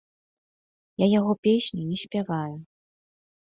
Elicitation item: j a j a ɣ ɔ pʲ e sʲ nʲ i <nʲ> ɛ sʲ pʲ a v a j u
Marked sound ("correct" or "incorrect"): correct